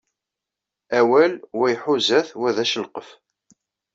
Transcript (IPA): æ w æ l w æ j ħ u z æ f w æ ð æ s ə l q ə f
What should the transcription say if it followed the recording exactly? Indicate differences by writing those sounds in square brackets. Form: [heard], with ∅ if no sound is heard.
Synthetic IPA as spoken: æ w æ l w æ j ħ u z æ [θ] w æ ð æ [ʃ] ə l q ə f